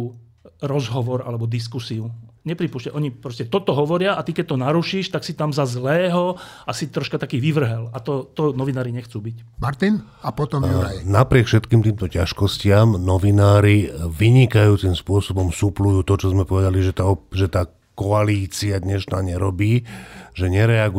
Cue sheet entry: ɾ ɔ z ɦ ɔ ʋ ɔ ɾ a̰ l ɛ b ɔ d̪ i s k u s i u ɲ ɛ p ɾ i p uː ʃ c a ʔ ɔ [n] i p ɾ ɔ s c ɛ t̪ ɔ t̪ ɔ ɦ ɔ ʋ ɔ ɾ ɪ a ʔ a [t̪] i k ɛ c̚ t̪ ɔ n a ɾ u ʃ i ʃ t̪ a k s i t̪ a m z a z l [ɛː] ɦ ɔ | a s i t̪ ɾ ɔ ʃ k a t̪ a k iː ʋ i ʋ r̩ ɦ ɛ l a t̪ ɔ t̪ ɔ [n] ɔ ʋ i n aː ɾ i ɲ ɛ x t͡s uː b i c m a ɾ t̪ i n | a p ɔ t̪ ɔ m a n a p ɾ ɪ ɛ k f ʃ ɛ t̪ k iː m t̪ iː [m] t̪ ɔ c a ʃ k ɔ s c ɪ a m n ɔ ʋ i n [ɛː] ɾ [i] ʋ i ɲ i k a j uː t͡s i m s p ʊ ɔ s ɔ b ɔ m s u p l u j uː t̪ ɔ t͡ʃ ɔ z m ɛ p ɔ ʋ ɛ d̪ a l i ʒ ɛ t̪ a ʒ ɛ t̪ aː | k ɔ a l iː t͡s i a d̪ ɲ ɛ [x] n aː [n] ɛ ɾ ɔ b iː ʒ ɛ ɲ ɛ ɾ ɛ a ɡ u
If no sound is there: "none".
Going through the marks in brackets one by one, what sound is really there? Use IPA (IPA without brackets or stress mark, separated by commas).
ɲ, t̪, ɛː, n, m, aː, i, ʃ, ɲ